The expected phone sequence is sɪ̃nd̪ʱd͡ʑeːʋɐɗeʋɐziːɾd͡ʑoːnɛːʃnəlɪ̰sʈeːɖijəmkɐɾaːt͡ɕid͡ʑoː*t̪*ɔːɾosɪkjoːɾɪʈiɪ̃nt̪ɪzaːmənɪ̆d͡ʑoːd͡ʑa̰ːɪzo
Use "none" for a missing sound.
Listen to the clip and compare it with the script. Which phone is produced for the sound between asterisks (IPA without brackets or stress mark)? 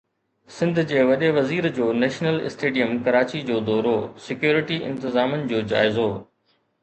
d̪